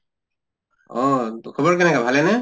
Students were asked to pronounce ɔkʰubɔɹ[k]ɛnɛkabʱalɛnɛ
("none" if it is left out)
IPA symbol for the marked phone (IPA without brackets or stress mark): k